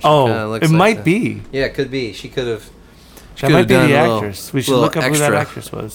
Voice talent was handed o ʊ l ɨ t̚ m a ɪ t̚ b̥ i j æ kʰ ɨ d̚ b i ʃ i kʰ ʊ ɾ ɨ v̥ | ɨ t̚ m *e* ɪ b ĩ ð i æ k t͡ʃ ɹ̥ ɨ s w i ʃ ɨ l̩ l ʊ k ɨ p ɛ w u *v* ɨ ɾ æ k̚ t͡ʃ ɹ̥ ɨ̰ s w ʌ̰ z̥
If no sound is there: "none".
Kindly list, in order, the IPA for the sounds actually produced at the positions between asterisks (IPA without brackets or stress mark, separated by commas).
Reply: a, ð